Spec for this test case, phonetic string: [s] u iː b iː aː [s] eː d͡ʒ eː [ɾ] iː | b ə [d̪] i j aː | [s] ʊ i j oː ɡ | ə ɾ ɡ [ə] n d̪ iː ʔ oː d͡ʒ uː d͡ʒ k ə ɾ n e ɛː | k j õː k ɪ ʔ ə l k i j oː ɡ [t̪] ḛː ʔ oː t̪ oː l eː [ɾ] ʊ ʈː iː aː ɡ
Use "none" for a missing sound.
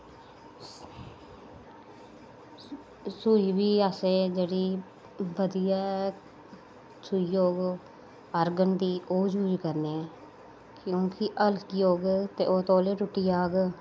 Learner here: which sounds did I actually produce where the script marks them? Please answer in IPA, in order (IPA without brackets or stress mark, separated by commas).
s, s, ɽ, d̪, s, ə, t̪, ɾ